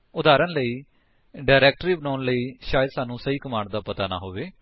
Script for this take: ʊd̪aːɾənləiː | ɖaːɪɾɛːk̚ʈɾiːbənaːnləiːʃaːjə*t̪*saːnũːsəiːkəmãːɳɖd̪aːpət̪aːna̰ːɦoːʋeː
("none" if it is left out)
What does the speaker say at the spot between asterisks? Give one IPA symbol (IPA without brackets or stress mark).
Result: d̪